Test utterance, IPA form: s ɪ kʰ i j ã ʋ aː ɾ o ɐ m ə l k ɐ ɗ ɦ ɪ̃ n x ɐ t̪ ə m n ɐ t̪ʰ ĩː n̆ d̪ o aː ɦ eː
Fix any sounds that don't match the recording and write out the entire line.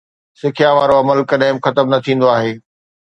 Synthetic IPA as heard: s ɪ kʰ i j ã ʋ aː ɾ o ɐ m ə l k ɐ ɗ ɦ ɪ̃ m x ɐ t̪ ə m n ɐ t̪ʰ ĩː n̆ d̪ o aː ɦ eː